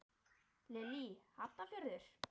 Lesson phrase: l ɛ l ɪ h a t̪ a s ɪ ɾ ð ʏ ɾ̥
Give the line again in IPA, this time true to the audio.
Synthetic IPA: l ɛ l i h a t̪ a f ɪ ɾ ð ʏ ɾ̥